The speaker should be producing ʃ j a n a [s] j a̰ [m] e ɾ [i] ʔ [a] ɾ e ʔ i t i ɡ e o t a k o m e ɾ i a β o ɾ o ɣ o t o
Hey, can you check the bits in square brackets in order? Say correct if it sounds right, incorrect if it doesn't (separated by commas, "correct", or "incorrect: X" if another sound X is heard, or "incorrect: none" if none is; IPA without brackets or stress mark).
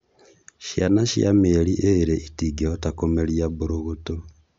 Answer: incorrect: ʃ, correct, correct, incorrect: e